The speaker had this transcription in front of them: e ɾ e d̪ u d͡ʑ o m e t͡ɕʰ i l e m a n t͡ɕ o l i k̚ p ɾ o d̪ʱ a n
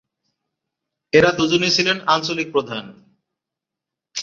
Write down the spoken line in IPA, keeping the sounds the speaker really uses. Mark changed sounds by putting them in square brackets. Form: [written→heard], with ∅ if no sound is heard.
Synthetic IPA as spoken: e ɾ [e→a] d̪ u d͡ʑ o [m→n] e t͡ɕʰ i l e [m→n] a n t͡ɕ o l i k̚ p ɾ o d̪ʱ a n